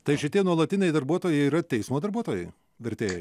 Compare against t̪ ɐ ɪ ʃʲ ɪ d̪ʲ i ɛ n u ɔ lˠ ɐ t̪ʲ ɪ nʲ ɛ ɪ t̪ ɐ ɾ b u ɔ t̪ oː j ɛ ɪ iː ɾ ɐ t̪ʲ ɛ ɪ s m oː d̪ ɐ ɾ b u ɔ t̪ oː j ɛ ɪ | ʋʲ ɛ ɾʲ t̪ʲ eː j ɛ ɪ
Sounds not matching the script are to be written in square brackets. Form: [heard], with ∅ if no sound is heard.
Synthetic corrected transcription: t̪ ɐ ɪ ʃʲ ɪ [t̪ʲ] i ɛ n u ɔ lˠ ɐ t̪ʲ ɪ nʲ ɛ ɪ [d̪] ɐ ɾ b u ɔ t̪ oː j ɛ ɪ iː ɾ ɐ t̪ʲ ɛ ɪ s m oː d̪ ɐ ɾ b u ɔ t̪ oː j ɛ ɪ | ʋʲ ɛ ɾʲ t̪ʲ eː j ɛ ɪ